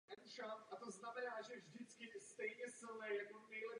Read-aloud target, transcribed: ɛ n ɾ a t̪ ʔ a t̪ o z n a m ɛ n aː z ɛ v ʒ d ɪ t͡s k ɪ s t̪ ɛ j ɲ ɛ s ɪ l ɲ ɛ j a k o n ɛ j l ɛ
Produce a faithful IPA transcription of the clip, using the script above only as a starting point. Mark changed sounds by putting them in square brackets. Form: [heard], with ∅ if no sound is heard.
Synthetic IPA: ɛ n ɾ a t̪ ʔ a t̪ o z n a m ɛ n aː [ʒ] ɛ v ʒ d ɪ t͡s k ɪ s t̪ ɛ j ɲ ɛ s ɪ l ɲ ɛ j a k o n ɛ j l ɛ

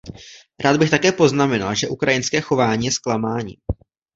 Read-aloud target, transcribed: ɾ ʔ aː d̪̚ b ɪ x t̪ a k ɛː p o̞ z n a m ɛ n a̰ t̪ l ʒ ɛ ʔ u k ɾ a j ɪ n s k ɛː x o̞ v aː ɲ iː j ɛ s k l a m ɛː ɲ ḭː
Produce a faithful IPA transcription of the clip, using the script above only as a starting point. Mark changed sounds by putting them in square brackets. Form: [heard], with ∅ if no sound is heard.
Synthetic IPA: ɾ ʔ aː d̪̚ b ɪ x t̪ a k ɛː p o̞ z n a m ɛ n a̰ [∅] l ʒ ɛ ʔ u k ɾ a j ɪ n s k ɛː x o̞ v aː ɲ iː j ɛ s k l a m [aː] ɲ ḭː

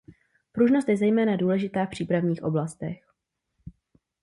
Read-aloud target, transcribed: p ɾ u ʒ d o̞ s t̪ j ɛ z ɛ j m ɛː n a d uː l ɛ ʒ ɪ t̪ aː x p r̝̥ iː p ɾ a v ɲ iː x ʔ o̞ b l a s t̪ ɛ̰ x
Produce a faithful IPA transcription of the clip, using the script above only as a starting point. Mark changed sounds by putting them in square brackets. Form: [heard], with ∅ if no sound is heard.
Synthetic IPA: p ɾ u ʒ [n] o̞ s t̪ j ɛ z ɛ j m ɛː n a d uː l ɛ ʒ ɪ t̪ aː [f] p r̝̥ iː p ɾ a v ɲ iː x ʔ o̞ b l a s t̪ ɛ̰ x

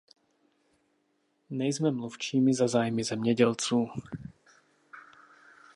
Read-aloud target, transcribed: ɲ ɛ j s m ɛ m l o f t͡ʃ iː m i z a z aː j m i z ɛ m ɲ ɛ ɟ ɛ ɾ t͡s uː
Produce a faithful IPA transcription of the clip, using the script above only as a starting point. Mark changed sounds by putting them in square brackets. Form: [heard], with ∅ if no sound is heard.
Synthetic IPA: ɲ ɛ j [z] m ɛ m l [u] f t͡ʃ iː m i z a z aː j m i z ɛ m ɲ ɛ ɟ ɛ [l] t͡s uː

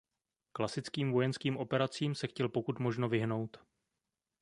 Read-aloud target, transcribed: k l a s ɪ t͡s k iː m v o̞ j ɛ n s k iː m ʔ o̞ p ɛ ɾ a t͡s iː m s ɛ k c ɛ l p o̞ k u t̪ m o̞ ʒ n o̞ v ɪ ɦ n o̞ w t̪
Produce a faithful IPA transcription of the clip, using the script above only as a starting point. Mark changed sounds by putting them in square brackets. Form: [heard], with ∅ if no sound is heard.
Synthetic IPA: k l a s ɪ t͡s k iː m v o̞ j ɛ n s k iː m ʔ o̞ p ɛ ɾ a t͡s iː m s ɛ [x] c ɛ l p o̞ k u t̪ m o̞ ʒ n o̞ v ɪ ɦ n o̞ w t̪

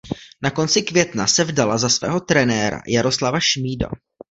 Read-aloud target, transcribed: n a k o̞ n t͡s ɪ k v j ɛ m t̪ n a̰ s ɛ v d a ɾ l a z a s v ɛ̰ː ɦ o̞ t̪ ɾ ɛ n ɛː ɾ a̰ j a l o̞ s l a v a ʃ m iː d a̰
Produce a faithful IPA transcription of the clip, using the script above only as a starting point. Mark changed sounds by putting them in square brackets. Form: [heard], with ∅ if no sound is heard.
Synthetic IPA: n a k o̞ n t͡s ɪ k v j ɛ [∅] t̪ n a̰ s ɛ v d a [∅] l a z a s v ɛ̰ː ɦ o̞ t̪ ɾ ɛ n ɛː ɾ a̰ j a [ɾ] o̞ s l a v a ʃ m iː d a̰

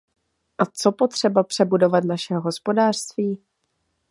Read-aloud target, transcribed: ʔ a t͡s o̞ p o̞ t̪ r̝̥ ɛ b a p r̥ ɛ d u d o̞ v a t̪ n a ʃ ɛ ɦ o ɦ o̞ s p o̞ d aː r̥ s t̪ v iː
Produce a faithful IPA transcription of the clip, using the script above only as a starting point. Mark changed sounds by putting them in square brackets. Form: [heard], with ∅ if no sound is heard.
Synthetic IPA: ʔ a t͡s o̞ p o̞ t̪ r̝̥ ɛ b a p r̥ ɛ [b] u d o̞ v a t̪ n a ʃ ɛ ɦ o ɦ o̞ s p o̞ d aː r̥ s t̪ v iː

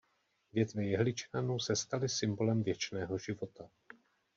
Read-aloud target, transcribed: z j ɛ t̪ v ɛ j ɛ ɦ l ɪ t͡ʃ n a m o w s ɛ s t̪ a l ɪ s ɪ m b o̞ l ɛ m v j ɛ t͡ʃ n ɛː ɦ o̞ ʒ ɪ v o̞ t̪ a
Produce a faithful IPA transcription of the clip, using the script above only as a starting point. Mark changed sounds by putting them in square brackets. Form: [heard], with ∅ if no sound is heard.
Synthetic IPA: [v] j ɛ t̪ v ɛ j ɛ ɦ l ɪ t͡ʃ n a [n] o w s ɛ s t̪ a l ɪ s ɪ m b o̞ l ɛ m v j ɛ t͡ʃ n ɛː ɦ o̞ ʒ ɪ v o̞ t̪ a

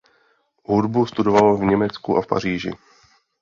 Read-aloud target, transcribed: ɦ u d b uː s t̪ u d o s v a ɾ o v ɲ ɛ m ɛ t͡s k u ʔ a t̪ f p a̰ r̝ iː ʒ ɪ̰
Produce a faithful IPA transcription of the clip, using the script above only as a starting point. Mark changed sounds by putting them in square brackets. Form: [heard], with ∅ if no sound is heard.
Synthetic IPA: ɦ u d b [u] s t̪ u d o [∅] v a [l] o v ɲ ɛ m ɛ t͡s k u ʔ a [∅] f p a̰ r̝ iː ʒ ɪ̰

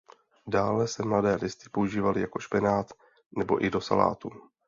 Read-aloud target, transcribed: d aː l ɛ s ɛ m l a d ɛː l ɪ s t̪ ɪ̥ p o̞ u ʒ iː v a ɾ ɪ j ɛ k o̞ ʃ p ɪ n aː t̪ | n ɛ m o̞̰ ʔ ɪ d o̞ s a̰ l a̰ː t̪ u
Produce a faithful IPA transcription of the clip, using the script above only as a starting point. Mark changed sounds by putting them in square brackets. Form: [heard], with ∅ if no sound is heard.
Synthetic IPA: d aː l ɛ s ɛ m l a d ɛː l ɪ s t̪ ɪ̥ p o̞ u ʒ iː v a [l] ɪ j [a] k o̞ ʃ p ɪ n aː t̪ | n ɛ [b] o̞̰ ʔ ɪ d o̞ s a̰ l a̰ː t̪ u

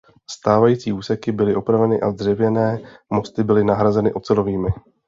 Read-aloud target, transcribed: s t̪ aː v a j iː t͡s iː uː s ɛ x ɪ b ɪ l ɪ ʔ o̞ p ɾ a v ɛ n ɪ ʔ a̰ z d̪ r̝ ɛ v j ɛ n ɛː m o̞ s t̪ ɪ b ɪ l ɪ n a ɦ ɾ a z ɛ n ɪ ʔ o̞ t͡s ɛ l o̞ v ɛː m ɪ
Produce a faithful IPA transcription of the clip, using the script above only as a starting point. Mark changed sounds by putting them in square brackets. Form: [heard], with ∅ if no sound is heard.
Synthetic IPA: s t̪ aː v a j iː t͡s iː uː s ɛ [k] ɪ b ɪ l ɪ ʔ o̞ p ɾ a v ɛ n ɪ ʔ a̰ z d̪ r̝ ɛ v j ɛ n ɛː m o̞ s t̪ ɪ b ɪ l ɪ n a ɦ ɾ a z ɛ n ɪ ʔ o̞ t͡s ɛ l o̞ v [iː] m ɪ

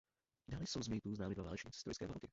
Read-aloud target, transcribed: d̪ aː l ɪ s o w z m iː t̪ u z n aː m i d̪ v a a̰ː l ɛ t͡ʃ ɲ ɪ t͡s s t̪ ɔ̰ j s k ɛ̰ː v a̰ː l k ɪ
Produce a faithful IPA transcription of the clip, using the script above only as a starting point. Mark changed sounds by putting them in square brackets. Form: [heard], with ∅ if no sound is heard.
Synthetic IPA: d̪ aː l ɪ s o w z m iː t̪ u z n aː m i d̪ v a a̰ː l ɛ t͡ʃ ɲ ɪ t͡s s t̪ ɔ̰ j s k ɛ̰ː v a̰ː l k ɪ

